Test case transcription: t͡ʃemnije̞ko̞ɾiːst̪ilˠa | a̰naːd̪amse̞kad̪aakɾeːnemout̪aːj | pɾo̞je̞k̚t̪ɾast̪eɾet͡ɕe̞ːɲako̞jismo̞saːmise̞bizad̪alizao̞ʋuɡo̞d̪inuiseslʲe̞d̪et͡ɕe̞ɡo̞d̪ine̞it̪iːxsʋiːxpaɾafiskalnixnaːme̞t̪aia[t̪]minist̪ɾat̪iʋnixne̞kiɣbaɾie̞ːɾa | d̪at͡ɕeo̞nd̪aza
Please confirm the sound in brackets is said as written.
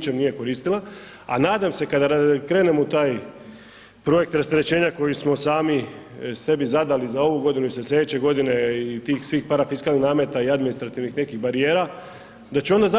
no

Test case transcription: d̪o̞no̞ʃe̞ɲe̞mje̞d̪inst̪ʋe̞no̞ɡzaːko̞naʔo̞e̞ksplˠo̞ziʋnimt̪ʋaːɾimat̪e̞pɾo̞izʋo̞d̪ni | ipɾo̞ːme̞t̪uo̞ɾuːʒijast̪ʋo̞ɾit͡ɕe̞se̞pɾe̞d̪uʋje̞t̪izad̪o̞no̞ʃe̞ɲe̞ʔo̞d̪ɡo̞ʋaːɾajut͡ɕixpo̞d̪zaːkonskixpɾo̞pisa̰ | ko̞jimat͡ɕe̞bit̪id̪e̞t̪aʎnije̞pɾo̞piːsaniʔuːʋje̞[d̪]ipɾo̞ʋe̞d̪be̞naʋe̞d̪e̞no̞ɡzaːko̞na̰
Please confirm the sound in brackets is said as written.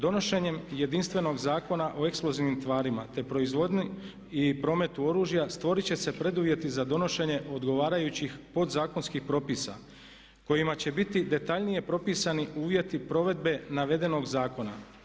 no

